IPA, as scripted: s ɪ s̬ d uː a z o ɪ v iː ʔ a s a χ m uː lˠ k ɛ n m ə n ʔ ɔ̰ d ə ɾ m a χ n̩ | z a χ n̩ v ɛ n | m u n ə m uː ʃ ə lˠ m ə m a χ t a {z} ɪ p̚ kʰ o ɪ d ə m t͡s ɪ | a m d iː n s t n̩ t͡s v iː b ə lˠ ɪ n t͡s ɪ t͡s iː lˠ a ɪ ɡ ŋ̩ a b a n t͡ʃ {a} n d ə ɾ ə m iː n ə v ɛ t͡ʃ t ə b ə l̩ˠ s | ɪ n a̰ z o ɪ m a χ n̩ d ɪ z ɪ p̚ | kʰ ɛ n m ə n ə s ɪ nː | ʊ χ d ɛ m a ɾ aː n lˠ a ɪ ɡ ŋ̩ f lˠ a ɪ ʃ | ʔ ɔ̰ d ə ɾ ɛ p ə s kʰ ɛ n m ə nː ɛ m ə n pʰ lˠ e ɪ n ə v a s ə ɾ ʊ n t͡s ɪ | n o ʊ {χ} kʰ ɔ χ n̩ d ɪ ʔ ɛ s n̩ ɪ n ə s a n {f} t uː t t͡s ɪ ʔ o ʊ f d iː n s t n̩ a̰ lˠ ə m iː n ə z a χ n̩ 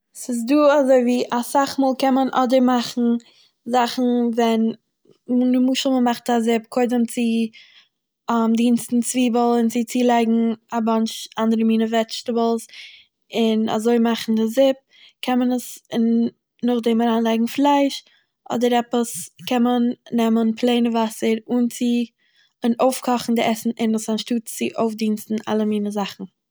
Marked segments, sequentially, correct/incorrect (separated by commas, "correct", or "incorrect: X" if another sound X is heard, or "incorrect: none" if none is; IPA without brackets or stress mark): correct, correct, incorrect: f, incorrect: ʃ